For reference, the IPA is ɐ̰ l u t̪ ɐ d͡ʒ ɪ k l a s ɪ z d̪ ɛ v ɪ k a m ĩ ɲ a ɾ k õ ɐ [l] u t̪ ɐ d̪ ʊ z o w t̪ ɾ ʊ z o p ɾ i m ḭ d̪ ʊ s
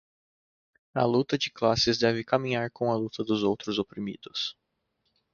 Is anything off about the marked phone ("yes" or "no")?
no